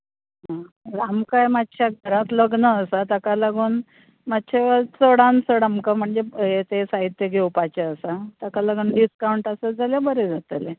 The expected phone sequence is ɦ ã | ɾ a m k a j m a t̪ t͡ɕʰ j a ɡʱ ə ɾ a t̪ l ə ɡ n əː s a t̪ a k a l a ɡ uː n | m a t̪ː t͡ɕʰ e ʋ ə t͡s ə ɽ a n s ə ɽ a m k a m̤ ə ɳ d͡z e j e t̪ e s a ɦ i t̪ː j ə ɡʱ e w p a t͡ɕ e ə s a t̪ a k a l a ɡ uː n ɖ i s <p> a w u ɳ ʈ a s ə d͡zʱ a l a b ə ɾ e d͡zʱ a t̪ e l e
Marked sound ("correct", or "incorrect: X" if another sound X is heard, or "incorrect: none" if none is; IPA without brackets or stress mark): incorrect: k